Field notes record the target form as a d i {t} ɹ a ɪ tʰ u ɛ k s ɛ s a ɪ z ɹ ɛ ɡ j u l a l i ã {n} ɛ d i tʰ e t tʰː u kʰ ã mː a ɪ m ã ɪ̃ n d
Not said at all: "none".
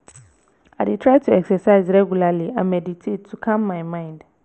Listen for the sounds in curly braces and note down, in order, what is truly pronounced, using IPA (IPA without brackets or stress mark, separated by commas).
tʰ, m